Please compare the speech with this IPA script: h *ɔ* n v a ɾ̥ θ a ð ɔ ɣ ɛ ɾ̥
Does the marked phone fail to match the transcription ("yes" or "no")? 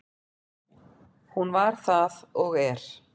yes